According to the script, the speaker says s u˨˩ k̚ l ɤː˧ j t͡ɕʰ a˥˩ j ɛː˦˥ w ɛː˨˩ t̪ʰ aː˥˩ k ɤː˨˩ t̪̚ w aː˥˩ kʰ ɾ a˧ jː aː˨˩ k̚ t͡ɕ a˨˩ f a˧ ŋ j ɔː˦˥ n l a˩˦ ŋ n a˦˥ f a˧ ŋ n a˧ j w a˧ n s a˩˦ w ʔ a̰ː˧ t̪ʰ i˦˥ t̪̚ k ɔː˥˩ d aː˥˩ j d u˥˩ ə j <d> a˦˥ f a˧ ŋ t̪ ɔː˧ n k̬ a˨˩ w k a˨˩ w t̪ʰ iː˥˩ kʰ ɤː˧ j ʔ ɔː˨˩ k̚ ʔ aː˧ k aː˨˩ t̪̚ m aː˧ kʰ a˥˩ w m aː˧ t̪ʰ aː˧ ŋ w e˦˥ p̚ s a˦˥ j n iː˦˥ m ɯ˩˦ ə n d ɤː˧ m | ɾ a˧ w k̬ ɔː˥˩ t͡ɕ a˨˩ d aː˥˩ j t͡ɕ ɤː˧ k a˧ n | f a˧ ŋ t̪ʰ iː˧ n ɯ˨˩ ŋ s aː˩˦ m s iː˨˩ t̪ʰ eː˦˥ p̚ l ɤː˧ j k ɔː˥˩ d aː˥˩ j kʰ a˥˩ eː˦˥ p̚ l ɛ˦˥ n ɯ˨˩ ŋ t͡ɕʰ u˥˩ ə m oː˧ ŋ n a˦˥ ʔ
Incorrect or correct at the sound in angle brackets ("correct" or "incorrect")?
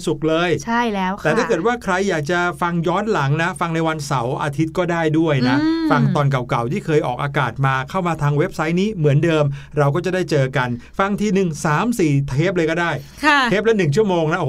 incorrect